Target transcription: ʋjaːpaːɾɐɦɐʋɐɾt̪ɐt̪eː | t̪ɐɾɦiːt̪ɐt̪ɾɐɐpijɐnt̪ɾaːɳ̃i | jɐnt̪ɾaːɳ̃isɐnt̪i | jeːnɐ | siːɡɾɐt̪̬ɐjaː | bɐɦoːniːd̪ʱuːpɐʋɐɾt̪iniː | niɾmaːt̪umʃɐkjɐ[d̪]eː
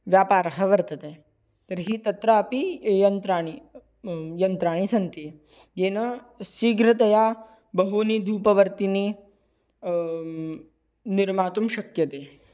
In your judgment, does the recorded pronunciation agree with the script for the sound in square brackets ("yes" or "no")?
no